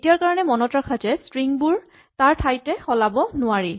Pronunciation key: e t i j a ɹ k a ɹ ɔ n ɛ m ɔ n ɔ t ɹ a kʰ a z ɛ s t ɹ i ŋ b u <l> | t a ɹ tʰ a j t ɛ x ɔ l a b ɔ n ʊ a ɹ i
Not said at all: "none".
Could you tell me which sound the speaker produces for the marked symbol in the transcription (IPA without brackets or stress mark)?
ɹ